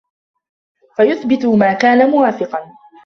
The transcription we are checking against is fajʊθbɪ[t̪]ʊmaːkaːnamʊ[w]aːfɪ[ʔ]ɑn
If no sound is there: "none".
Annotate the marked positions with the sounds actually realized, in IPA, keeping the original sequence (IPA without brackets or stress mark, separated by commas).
t̪, w, q